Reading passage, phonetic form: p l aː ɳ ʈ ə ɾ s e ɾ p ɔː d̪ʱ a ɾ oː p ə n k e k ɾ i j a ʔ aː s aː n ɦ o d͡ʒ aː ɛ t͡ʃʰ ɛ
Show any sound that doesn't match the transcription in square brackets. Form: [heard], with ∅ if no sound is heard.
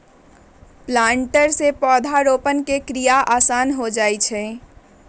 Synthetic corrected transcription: p l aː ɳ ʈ ə ɾ s e [∅] p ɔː d̪ʱ a ɾ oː p ə n k e k ɾ i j a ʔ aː s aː n ɦ o d͡ʒ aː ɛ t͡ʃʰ ɛ

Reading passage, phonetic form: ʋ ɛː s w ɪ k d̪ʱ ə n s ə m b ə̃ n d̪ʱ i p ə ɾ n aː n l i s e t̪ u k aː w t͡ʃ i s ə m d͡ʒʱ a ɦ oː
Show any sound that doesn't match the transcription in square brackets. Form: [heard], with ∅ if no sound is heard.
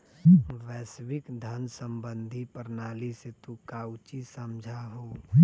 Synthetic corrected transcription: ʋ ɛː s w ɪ k d̪ʱ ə n s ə m b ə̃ n d̪ʱ i p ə ɾ n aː [∅] l i s e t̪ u k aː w t͡ʃ i s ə m d͡ʒʱ a ɦ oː

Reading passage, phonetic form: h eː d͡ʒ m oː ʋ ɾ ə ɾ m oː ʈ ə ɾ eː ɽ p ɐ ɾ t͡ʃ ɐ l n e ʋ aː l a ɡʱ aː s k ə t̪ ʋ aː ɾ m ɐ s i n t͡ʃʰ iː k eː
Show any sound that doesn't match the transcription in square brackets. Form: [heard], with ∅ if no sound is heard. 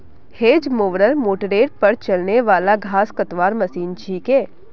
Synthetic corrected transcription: h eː d͡ʒ m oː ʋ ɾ ə ɾ m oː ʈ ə ɾ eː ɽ p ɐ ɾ t͡ʃ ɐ l n e ʋ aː l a ɡʱ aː s k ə t̪ ʋ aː ɾ m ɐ s [iː] n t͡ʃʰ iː k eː

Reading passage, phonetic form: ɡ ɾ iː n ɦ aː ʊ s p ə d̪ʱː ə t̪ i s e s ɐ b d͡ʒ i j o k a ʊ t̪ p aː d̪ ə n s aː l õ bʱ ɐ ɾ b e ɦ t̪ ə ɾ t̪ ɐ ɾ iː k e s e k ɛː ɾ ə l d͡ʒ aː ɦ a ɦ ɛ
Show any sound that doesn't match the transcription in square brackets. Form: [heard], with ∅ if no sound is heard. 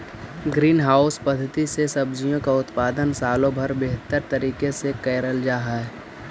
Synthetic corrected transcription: ɡ ɾ iː n ɦ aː ʊ s p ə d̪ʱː ə t̪ i s e s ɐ b d͡ʒ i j [õ] k a ʊ t̪ p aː d̪ ə n s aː l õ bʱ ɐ ɾ b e ɦ t̪ ə ɾ t̪ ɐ ɾ iː k e s e k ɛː ɾ ə l d͡ʒ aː ɦ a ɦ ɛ

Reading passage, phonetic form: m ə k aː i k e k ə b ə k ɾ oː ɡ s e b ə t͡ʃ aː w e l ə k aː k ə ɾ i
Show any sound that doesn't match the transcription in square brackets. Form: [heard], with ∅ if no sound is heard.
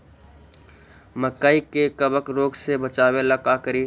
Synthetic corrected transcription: m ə k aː i k e k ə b ə k ɾ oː ɡ s e b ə t͡ʃ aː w e l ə k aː k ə ɾ i

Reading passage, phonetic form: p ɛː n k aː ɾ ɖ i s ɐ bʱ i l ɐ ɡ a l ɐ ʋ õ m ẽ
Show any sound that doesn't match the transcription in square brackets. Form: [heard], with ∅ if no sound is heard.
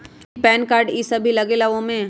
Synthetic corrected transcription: p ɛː n k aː ɾ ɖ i s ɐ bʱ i l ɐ ɡ [e] l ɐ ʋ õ m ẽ

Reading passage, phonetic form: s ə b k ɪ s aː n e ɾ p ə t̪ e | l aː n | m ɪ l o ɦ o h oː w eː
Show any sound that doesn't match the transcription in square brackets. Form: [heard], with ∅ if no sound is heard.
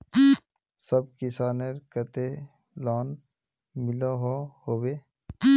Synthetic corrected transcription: s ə b k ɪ s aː n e ɾ [k] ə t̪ e | l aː n | m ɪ l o ɦ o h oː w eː

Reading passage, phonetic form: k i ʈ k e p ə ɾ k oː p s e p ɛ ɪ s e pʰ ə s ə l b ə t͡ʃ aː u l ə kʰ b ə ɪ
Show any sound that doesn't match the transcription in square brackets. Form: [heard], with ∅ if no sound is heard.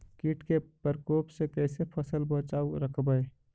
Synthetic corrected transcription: k i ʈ k e p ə ɾ k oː p s e [k] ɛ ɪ s e pʰ ə s ə l b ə t͡ʃ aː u [ɾ] ə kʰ b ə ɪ

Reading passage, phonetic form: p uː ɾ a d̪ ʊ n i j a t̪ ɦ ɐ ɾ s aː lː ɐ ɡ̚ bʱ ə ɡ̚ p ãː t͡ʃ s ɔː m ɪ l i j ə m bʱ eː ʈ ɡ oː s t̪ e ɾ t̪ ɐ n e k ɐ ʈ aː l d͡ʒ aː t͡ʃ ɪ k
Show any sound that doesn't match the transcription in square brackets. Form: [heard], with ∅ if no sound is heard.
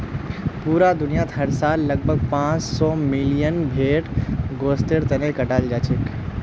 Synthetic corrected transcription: p uː ɾ a d̪ ʊ n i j a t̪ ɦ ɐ ɾ s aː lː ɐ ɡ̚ bʱ ə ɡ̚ p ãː t͡ʃ s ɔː m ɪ l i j ə [n] bʱ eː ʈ ɡ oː s t̪ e ɾ t̪ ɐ n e k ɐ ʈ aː l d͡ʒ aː t͡ʃ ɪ k

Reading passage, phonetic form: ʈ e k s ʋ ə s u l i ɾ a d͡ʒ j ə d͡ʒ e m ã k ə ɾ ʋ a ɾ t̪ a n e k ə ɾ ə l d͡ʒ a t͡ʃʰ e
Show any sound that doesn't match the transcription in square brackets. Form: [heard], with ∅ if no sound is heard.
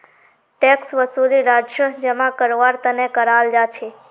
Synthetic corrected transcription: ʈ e k s ʋ ə s u l i ɾ a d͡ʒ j ə d͡ʒ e m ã k ə ɾ ʋ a ɾ t̪ [ə] n e k ə ɾ [a] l d͡ʒ a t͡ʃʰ e

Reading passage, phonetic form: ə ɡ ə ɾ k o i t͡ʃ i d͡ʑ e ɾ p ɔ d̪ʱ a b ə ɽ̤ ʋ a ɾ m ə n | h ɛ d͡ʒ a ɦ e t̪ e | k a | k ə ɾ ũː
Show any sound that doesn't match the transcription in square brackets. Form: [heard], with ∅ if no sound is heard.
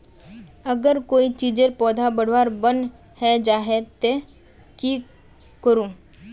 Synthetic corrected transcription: ə ɡ ə ɾ k o i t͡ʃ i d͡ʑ e ɾ p ɔ d̪ʱ a b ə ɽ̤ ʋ a ɾ [b] ə n | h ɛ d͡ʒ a ɦ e t̪ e | k [i] | k ə ɾ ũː

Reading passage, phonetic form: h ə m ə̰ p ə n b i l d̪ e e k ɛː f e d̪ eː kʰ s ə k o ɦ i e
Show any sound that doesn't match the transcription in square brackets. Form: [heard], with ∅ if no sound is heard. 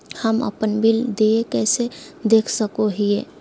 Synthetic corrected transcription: h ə m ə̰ p ə n b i l d̪ e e k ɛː [s] e d̪ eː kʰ s ə k o ɦ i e

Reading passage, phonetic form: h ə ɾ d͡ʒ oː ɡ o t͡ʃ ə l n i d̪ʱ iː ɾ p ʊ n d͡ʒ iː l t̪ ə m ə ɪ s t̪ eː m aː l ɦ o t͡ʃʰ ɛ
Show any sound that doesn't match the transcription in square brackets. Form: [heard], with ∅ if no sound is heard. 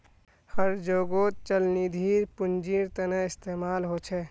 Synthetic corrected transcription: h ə ɾ d͡ʒ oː ɡ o t͡ʃ ə l n i d̪ʱ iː ɾ p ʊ n d͡ʒ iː [ɾ] t̪ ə [n] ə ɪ s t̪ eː m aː l ɦ o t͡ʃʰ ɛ

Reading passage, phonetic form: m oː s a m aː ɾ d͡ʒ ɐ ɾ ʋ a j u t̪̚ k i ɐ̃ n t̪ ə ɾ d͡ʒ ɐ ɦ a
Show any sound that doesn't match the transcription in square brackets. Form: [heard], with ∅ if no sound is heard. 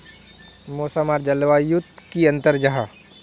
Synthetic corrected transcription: m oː s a m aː ɾ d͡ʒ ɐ [l] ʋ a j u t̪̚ k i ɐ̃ n t̪ ə ɾ d͡ʒ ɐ ɦ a

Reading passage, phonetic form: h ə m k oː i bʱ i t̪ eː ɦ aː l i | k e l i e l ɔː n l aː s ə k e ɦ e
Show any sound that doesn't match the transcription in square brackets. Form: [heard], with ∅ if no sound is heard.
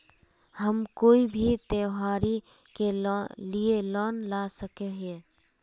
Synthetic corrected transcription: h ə m k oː i bʱ i t̪ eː ɦ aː [ɾ] i | k e l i e l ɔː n l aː s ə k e ɦ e

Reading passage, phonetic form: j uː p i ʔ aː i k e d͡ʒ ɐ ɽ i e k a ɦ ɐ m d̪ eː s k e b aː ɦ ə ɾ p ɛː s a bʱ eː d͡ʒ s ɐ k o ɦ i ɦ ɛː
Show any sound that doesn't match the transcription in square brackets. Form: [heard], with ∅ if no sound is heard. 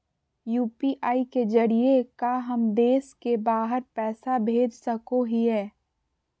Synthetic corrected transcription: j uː p i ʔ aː i k e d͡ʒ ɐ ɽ i e k a ɦ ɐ m d̪ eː s k e b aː ɦ ə ɾ p ɛː s a bʱ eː d͡ʒ s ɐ k o ɦ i ɦ ɛː

